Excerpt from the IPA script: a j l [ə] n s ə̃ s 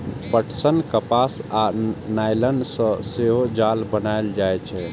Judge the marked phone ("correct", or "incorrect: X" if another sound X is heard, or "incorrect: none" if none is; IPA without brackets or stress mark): correct